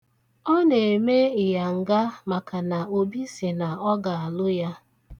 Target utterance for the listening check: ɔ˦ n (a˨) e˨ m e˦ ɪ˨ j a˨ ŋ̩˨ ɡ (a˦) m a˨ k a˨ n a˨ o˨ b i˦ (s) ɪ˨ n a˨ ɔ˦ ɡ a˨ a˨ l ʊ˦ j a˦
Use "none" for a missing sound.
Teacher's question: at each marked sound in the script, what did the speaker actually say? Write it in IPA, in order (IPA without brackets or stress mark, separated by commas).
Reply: e˨, a˦, s